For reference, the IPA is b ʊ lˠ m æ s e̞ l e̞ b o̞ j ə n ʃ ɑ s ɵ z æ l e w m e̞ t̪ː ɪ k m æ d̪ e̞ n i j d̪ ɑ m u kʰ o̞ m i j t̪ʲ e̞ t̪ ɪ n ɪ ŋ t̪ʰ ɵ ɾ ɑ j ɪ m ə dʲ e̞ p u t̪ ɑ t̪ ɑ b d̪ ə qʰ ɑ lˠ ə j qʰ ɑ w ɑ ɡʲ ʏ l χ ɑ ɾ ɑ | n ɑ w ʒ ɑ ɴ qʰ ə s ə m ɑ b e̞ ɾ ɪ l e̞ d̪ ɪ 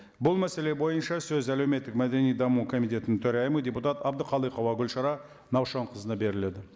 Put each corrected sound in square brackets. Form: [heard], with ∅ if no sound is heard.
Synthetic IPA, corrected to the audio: b ʊ lˠ m æ s e̞ l e̞ b o̞ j ə n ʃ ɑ s ɵ z æ l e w m e̞ t̪ː ɪ k m æ d̪ e̞ n i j d̪ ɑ m u kʰ o̞ m i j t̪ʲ e̞ t̪ ɪ n ɪ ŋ t̪ʰ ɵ ɾ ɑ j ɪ m ə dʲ e̞ p u t̪ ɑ t̪ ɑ b d̪ ə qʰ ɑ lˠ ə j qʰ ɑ w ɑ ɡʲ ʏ l [ʃ] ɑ ɾ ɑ | n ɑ w [ʃ] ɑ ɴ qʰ ə [z] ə [n] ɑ b e̞ ɾ ɪ l e̞ d̪ ɪ